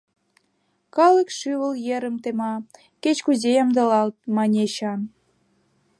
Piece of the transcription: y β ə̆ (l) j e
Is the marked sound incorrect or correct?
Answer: correct